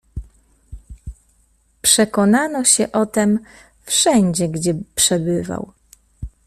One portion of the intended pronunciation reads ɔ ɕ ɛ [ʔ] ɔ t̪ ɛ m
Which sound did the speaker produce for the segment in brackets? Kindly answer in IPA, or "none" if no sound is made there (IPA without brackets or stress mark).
ʔ